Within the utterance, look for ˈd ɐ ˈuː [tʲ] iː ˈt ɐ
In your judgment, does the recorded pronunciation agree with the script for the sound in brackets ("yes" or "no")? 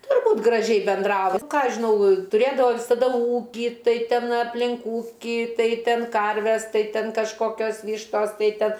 no